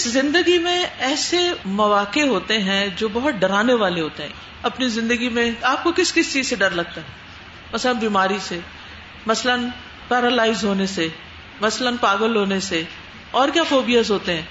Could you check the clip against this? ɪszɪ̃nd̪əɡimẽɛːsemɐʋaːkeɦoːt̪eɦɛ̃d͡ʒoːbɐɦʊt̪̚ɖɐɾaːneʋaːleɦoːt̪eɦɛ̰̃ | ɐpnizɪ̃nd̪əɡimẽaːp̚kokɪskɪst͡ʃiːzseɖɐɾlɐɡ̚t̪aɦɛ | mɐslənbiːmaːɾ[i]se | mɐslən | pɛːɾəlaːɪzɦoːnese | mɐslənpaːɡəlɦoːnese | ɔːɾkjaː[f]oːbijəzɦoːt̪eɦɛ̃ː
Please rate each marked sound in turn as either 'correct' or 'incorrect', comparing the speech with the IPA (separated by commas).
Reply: correct, correct